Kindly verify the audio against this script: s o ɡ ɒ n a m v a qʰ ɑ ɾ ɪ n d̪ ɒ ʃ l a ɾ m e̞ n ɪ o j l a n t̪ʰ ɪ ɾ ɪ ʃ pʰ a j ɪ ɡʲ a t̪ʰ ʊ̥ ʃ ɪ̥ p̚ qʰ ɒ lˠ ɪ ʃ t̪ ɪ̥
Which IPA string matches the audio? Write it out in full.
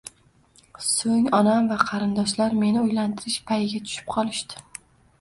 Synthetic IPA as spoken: s o ŋ ɒ n a m v a qʰ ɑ ɾ ɪ n d̪ ɒ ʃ l a ɾ m e̞ n ɪ o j l a n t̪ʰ ɪ ɾ ɪ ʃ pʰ a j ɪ ɡʲ a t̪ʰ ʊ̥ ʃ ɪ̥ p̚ qʰ ɒ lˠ ɪ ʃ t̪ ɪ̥